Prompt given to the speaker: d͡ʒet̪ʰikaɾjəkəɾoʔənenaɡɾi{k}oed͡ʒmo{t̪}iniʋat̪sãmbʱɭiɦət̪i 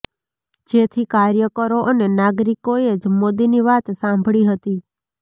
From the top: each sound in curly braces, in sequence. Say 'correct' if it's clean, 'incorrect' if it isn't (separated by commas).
correct, incorrect